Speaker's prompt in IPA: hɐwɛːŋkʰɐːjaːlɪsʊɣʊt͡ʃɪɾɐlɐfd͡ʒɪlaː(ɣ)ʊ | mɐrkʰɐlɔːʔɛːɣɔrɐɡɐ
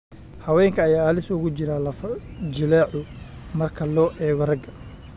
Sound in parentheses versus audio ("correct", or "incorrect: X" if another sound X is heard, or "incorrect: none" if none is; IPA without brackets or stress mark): incorrect: ʕ